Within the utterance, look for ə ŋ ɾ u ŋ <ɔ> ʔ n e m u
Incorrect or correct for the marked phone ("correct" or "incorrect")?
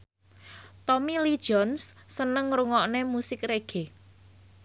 correct